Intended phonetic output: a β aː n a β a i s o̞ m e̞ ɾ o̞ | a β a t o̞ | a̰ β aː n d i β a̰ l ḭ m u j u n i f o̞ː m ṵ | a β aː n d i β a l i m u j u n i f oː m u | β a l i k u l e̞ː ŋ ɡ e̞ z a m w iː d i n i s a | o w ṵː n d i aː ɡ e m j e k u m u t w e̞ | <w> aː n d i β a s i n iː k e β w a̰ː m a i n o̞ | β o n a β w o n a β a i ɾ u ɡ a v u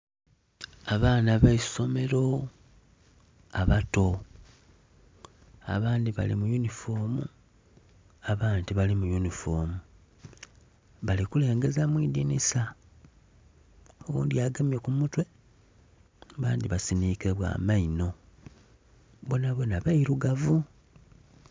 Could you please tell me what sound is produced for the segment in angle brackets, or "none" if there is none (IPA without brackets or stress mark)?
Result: β